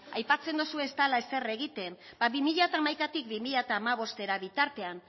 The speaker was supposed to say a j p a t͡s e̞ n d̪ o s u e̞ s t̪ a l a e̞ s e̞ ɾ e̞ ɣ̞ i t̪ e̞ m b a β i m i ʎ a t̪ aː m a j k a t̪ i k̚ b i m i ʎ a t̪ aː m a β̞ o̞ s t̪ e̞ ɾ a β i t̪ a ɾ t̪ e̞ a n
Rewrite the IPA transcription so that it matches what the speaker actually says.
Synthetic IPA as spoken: a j p a t͡s e̞ n d̪ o s u e̞ s t̪ a l a e̞ s e̞ r e̞ ɣ̞ i t̪ e̞ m b a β i m i ʎ a t̪ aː m a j k a t̪ i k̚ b i m i ʎ a t̪ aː m a β̞ o̞ s t̪ e̞ ɾ a β i t̪ a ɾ t̪ e̞ a n